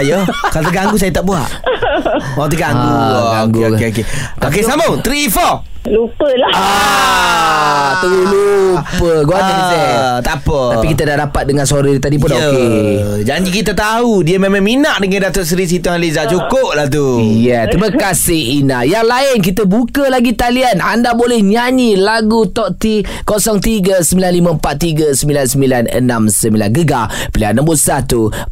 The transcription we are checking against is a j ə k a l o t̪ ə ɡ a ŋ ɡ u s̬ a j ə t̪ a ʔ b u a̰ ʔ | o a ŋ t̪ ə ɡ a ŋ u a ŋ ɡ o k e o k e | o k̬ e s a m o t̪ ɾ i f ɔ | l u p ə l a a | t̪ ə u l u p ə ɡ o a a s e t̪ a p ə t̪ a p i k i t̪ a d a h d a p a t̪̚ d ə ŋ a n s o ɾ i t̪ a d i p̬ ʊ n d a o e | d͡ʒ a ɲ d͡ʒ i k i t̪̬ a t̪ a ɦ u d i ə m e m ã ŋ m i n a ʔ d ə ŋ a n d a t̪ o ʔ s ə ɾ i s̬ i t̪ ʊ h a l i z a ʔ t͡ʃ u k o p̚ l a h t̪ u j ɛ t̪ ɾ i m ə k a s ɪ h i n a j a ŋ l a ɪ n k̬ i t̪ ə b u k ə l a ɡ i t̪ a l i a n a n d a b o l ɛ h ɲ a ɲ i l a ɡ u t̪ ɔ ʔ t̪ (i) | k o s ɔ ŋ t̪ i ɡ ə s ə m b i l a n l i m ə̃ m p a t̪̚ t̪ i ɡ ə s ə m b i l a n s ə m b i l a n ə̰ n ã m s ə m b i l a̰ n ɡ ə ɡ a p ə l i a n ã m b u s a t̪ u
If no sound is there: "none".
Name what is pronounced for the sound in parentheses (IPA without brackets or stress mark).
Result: i